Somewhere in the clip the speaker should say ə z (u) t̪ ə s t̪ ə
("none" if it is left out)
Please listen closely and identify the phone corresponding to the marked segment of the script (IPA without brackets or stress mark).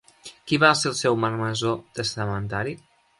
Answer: o